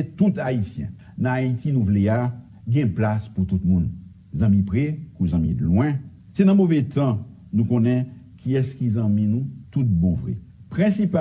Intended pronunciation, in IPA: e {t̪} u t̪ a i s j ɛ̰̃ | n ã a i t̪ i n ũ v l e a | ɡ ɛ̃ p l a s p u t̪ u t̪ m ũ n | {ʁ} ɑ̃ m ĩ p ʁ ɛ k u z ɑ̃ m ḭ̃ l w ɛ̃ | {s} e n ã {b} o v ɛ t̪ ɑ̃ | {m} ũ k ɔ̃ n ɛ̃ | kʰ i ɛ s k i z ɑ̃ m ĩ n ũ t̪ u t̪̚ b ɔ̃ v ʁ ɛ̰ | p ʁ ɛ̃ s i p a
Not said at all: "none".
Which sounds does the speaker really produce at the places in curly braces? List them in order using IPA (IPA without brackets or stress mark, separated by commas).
t̪, z, s, m, n